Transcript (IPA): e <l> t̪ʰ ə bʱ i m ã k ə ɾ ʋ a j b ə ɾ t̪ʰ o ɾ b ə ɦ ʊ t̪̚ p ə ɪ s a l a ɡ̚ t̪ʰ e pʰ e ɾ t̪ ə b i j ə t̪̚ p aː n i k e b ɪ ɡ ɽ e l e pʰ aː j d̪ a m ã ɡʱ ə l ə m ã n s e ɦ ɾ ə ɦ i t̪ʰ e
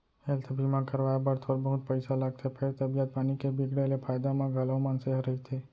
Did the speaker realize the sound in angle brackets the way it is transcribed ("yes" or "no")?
yes